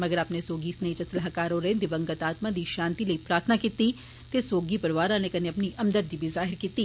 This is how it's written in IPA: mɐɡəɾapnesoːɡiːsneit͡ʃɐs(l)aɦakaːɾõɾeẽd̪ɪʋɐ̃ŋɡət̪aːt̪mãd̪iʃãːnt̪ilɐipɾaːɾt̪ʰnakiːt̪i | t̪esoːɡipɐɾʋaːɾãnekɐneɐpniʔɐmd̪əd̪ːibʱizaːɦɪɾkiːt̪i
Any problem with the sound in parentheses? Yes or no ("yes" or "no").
no